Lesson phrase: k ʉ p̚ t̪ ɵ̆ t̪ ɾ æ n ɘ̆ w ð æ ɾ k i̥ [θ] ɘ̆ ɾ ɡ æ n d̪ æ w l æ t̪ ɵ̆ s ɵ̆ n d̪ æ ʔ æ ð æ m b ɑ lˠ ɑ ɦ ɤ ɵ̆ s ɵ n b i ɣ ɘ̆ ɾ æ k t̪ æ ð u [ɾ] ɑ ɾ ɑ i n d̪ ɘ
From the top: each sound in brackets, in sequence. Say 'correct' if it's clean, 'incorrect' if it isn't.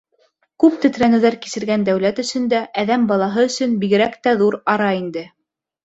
incorrect, correct

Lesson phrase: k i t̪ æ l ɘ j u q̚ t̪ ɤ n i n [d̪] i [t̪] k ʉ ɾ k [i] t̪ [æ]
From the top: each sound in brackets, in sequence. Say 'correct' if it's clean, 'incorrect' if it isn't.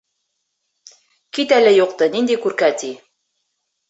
correct, incorrect, incorrect, incorrect

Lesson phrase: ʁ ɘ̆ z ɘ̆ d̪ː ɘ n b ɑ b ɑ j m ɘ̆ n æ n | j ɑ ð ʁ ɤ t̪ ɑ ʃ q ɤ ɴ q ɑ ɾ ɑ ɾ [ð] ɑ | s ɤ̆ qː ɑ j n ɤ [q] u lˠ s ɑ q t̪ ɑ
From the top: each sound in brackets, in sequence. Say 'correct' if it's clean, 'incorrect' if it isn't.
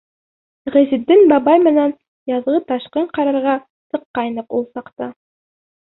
incorrect, correct

